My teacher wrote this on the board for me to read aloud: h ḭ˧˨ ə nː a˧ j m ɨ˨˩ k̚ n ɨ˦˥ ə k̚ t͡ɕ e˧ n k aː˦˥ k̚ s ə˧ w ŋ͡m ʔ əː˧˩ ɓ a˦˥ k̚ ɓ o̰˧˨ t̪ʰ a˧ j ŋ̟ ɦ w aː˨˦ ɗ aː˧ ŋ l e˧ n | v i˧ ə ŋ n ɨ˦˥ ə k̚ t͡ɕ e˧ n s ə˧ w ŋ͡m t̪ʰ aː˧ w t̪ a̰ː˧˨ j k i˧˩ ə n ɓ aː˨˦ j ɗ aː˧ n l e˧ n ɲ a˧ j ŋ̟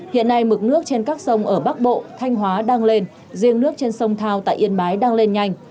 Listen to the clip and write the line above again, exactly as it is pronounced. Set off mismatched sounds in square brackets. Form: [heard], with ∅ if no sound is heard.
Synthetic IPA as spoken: h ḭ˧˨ ə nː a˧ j m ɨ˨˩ k̚ n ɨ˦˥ ə k̚ t͡ɕ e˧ n k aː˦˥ k̚ s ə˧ w ŋ͡m ʔ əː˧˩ ɓ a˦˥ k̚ ɓ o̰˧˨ t̪ʰ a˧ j ŋ̟ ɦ w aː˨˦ ɗ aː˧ ŋ l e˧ n | [z] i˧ ə ŋ n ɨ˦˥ ə k̚ t͡ɕ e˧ n s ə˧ w ŋ͡m t̪ʰ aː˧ w t̪ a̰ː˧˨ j [ʔ] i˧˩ ə n ɓ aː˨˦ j ɗ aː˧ [ŋ] l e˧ n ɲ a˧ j ŋ̟

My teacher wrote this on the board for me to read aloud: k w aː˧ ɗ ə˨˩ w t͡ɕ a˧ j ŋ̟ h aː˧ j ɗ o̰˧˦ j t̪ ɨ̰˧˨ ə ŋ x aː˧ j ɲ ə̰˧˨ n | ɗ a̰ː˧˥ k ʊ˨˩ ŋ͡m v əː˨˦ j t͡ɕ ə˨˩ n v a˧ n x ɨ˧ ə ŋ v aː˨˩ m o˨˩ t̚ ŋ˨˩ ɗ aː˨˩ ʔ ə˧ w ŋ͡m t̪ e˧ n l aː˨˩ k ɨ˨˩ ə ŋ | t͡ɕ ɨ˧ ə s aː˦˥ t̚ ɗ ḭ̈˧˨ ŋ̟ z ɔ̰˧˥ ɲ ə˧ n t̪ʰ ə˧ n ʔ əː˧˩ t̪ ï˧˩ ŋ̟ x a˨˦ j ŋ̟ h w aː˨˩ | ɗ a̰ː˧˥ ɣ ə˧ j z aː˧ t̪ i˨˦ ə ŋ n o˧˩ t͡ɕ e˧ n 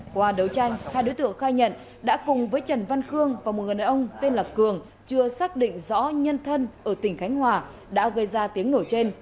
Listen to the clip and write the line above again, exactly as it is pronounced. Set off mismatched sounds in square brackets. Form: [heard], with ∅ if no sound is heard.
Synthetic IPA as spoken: k w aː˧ ɗ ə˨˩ w t͡ɕ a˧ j ŋ̟ h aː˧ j ɗ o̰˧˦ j t̪ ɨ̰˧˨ ə ŋ x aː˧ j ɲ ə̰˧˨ n | ɗ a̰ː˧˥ k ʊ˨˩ ŋ͡m v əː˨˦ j t͡ɕ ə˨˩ n v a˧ n x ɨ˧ ə ŋ v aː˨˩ m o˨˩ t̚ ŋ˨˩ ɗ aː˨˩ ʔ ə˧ w ŋ͡m t̪ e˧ n l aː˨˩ k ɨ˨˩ ə ŋ | t͡ɕ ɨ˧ ə s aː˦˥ [k̚] ɗ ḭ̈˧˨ ŋ̟ z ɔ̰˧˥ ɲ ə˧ n t̪ʰ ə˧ n ʔ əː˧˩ t̪ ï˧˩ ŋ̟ x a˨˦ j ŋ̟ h w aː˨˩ | ɗ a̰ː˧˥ ɣ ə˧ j z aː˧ t̪ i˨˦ ə ŋ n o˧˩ t͡ɕ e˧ n

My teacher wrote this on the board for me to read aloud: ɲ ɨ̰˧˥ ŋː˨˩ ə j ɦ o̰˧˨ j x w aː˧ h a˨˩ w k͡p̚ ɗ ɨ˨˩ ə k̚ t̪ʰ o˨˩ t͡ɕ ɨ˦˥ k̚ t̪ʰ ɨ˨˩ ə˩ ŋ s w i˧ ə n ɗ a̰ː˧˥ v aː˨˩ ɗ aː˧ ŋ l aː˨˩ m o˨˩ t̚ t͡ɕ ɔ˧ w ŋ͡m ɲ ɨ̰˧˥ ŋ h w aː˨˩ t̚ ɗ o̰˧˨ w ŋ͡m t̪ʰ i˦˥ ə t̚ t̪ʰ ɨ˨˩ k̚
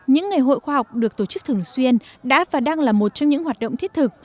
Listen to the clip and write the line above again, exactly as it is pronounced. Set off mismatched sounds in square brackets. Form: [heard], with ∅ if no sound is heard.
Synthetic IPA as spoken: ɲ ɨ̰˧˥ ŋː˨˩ ə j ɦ o̰˧˨ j x w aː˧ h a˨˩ w k͡p̚ ɗ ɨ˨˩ ə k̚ [t̪] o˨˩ t͡ɕ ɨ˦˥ k̚ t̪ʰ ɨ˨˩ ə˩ ŋ s w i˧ ə n ɗ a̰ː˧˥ v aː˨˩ ɗ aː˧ ŋ l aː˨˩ m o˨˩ t̚ t͡ɕ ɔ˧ w ŋ͡m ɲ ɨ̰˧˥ ŋ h w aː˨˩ t̚ ɗ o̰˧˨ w ŋ͡m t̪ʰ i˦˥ ə t̚ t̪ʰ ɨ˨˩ k̚

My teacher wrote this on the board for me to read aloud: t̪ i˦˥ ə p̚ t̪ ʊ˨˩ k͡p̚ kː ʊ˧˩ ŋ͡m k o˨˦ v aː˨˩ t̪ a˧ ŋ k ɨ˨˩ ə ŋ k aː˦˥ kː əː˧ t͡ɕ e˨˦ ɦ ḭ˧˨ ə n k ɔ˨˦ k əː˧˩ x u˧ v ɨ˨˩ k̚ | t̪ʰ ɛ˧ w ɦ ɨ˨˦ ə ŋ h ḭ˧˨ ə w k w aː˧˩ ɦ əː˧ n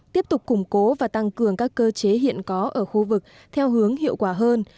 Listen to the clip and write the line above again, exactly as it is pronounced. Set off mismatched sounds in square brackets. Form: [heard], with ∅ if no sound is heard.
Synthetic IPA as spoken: t̪ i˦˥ ə p̚ t̪ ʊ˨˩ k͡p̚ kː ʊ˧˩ ŋ͡m k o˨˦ v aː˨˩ t̪ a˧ ŋ k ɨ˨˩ ə ŋ k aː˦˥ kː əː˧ t͡ɕ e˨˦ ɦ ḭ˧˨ ə n k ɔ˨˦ [ʔ] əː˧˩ x u˧ v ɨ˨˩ k̚ | t̪ʰ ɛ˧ w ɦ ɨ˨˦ ə ŋ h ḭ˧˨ ə w k w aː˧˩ ɦ əː˧ n

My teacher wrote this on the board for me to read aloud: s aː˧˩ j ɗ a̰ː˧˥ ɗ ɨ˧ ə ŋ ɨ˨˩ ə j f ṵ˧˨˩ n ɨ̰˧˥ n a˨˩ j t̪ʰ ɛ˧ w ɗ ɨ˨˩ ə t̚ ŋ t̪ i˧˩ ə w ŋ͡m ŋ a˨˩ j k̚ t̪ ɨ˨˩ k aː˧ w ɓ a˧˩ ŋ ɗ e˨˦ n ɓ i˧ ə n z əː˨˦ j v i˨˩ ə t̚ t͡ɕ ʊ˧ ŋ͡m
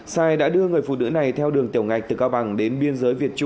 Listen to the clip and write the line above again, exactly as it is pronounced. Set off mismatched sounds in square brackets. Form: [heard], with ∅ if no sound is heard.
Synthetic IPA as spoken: s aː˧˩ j ɗ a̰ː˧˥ ɗ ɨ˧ ə ŋ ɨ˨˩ ə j f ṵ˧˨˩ n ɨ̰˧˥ n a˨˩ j t̪ʰ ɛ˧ w ɗ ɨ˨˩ ə [∅] ŋ t̪ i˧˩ ə w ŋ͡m ŋ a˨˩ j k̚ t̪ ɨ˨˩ k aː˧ w ɓ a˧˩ ŋ ɗ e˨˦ n ɓ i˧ ə n z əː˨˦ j v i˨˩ ə t̚ t͡ɕ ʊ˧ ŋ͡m

